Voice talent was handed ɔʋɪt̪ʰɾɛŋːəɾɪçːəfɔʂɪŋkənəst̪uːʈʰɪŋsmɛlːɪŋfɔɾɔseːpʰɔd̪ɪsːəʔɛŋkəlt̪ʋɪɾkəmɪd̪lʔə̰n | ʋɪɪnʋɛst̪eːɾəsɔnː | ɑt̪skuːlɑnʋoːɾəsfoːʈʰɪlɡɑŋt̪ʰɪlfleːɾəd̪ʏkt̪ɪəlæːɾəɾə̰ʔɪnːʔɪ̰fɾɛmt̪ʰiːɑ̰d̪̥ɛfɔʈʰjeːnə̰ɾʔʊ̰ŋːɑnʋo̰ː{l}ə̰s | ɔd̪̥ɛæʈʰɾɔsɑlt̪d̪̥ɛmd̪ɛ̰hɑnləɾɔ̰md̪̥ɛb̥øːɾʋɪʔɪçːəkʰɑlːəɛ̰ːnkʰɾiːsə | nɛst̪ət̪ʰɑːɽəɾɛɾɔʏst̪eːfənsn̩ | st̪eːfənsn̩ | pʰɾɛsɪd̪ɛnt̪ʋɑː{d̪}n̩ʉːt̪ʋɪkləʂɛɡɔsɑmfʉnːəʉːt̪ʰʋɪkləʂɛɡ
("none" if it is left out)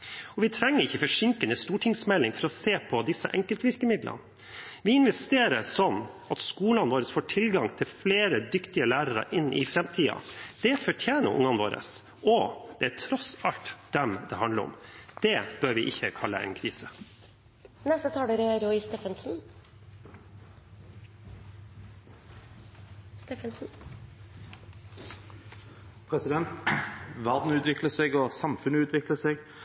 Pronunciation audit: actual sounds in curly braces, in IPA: ɾ, d̪

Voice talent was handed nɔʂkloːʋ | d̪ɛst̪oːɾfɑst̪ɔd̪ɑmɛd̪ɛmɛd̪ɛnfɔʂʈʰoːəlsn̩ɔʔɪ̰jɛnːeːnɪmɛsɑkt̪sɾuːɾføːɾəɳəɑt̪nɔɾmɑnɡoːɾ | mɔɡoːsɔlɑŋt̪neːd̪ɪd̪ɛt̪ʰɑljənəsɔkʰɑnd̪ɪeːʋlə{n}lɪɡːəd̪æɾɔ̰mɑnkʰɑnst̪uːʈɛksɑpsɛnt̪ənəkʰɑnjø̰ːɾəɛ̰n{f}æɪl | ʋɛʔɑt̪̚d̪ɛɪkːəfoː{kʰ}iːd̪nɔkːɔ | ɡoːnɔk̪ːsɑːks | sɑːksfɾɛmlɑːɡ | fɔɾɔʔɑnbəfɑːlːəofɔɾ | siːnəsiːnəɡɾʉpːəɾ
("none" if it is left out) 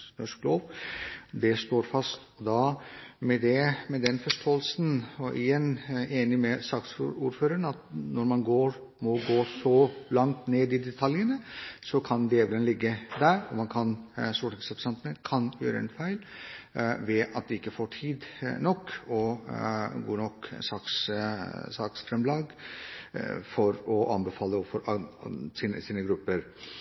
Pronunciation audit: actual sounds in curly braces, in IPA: n, f, ʈʰ

